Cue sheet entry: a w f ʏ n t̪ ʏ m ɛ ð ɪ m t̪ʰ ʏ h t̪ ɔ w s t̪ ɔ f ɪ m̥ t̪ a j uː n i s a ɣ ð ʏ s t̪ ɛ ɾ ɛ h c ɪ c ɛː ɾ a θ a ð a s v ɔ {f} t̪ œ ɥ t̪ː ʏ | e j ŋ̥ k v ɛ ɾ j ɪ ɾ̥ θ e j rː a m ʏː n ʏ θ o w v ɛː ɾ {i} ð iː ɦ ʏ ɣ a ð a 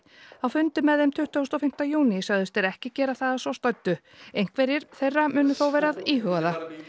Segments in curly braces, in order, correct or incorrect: incorrect, incorrect

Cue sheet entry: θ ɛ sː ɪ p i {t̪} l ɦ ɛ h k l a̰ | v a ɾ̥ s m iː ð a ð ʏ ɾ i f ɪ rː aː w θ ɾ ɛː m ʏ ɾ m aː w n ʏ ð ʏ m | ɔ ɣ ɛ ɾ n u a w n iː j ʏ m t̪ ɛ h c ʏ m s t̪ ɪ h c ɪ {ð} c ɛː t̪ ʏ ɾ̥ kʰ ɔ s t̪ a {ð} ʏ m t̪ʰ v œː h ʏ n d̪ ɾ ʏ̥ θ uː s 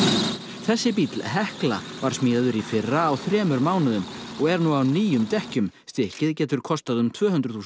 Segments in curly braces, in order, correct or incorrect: correct, correct, correct

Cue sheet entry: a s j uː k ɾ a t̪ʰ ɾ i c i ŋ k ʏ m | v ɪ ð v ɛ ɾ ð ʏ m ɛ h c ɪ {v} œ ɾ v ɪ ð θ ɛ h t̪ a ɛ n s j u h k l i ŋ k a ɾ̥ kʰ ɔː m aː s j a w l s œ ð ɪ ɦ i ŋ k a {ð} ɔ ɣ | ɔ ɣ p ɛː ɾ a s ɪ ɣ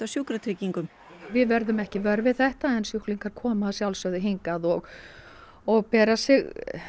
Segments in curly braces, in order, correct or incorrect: correct, correct

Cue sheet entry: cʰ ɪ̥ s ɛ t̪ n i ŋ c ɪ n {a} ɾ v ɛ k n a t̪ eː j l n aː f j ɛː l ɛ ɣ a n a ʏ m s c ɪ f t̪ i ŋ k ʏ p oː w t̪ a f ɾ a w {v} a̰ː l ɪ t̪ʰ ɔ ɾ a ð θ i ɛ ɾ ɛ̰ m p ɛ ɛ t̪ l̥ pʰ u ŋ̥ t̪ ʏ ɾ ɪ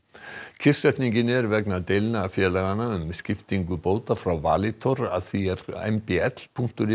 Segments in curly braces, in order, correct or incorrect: incorrect, correct

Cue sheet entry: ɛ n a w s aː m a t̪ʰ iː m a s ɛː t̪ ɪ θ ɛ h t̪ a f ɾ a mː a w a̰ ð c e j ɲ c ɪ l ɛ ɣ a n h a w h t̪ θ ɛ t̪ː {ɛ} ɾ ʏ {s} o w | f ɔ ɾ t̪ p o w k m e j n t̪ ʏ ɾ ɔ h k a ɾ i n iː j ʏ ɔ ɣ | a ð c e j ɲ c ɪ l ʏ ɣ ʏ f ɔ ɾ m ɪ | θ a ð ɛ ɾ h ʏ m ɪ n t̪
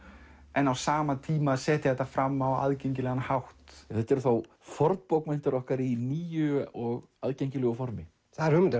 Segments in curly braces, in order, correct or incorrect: correct, incorrect

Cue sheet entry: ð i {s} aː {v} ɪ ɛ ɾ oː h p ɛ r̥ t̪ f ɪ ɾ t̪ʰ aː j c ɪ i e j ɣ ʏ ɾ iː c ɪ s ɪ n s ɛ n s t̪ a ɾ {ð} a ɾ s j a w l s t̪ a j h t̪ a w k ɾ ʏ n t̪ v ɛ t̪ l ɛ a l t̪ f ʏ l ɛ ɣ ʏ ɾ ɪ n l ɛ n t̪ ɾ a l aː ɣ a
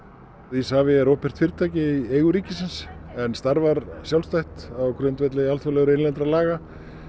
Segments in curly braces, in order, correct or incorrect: correct, correct, incorrect

